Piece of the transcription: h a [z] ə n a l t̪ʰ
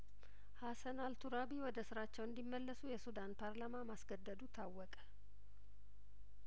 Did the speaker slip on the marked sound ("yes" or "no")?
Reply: yes